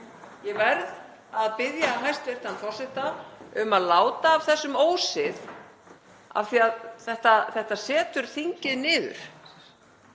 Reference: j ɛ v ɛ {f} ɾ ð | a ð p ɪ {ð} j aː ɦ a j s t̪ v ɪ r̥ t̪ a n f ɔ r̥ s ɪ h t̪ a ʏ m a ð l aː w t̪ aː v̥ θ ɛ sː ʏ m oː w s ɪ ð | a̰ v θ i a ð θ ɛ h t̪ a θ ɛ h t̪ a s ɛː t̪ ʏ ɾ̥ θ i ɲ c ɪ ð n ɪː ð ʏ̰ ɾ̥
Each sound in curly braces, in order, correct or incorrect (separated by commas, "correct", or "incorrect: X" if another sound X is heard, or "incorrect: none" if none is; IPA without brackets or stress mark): incorrect: none, correct